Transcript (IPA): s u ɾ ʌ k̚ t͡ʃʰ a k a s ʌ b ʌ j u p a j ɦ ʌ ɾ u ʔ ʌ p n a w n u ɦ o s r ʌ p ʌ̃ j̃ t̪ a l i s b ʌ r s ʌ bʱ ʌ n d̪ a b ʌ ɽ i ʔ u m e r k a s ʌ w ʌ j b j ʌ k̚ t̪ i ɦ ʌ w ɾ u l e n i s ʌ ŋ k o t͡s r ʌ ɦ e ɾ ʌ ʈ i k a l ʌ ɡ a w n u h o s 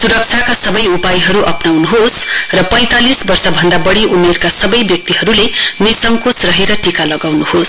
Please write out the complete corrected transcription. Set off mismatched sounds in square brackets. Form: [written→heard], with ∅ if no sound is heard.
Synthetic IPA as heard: s u ɾ ʌ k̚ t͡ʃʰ a k a s ʌ b ʌ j u p a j ɦ ʌ ɾ u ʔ ʌ p n a w n u ɦ o s r ʌ p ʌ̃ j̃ t̪ a l i s b ʌ r s ʌ bʱ ʌ n d̪ a b ʌ ɽ i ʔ u m e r k a s ʌ [w→b] ʌ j b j ʌ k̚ t̪ i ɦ ʌ [w→∅] ɾ u l e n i s ʌ ŋ k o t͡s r ʌ ɦ e ɾ ʌ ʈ i k a l ʌ ɡ a w n u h o s